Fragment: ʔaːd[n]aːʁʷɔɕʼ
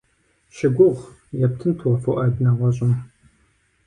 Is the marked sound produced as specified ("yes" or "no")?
yes